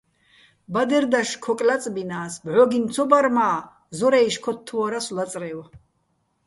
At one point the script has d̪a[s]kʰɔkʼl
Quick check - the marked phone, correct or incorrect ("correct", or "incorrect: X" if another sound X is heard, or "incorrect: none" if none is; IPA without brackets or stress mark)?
incorrect: ʃ